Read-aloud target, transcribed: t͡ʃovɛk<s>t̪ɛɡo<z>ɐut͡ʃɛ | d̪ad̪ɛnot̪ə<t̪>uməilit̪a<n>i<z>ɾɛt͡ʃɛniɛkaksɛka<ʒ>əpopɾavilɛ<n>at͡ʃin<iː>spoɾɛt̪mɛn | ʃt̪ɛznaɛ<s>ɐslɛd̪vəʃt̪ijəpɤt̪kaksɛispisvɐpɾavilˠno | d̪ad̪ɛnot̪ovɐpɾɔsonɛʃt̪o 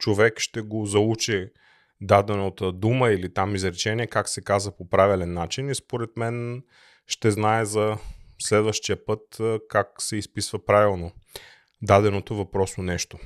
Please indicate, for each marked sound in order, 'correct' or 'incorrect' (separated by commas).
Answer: incorrect, correct, incorrect, incorrect, correct, incorrect, incorrect, incorrect, incorrect